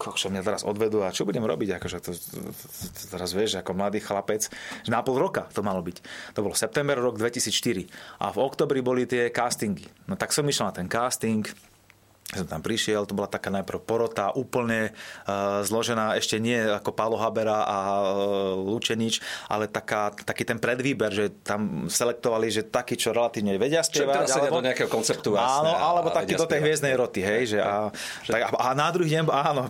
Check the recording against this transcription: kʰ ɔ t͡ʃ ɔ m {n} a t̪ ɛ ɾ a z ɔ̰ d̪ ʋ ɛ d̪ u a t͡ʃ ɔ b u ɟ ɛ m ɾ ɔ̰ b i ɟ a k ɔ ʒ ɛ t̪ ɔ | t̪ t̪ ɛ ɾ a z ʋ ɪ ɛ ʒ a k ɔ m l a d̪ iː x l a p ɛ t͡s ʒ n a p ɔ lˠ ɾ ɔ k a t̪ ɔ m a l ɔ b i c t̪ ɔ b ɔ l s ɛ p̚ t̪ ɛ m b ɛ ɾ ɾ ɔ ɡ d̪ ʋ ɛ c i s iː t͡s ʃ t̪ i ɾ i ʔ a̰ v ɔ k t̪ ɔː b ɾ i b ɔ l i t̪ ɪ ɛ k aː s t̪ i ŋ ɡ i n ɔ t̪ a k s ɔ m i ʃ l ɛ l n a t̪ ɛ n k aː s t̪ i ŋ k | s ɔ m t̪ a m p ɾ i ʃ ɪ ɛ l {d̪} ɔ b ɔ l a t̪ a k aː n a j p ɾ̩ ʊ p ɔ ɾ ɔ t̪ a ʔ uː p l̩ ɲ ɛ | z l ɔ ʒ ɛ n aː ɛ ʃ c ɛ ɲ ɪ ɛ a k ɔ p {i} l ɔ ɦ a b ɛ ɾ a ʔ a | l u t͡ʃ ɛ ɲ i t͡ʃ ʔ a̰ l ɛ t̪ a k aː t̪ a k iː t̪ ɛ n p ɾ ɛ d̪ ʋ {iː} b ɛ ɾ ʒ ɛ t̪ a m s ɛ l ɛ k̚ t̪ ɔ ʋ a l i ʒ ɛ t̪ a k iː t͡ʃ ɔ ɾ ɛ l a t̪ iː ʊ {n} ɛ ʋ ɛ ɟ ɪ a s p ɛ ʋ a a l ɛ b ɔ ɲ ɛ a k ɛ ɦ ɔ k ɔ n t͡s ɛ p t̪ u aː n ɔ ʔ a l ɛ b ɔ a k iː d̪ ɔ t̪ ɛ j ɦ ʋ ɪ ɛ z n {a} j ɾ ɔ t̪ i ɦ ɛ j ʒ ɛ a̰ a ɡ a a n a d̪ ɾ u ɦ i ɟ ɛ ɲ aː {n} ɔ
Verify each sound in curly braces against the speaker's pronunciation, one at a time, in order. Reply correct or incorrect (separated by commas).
incorrect, incorrect, incorrect, correct, incorrect, incorrect, correct